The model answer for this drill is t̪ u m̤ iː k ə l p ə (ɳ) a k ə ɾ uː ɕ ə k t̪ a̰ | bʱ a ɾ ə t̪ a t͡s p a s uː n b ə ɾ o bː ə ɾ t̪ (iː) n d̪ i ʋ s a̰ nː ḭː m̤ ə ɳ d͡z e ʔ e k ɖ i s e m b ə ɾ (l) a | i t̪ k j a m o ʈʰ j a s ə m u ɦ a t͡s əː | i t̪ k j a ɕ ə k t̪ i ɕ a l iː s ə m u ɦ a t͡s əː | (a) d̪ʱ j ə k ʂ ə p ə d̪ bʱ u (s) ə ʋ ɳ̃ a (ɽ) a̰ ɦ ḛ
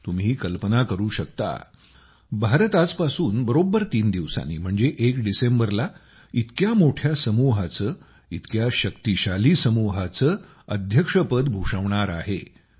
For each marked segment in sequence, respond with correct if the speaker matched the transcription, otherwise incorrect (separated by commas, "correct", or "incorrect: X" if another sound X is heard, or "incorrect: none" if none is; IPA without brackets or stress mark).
incorrect: n, correct, correct, incorrect: ə, incorrect: ʂ, incorrect: ɾ